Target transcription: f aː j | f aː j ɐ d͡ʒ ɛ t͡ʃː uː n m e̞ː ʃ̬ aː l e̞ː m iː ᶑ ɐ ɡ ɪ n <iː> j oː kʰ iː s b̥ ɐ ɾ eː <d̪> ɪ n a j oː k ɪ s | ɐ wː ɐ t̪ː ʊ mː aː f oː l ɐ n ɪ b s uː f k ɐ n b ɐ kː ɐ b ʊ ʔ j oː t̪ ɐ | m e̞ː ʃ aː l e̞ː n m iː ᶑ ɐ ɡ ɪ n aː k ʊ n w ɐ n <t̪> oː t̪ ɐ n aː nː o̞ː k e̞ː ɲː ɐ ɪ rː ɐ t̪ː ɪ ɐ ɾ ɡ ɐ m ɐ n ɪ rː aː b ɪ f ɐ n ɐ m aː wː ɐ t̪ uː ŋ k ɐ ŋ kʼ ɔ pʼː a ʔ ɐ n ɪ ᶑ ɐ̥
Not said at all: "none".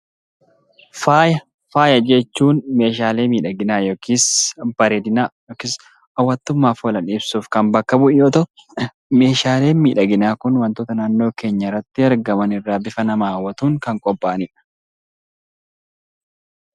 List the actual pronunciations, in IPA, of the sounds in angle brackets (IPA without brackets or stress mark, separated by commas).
aː, d̪, t̪